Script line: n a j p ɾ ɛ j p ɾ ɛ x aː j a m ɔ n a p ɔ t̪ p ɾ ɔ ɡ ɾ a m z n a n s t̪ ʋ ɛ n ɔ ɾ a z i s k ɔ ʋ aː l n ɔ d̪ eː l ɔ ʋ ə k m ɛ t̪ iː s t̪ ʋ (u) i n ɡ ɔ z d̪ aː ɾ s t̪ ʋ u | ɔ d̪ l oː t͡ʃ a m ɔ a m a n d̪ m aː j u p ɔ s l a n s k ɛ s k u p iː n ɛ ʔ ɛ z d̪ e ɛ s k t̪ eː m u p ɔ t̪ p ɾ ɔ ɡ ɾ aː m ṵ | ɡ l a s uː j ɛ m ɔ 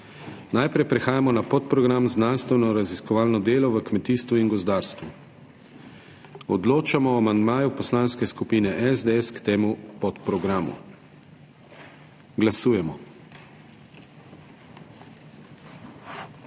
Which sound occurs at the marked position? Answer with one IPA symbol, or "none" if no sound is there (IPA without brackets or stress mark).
u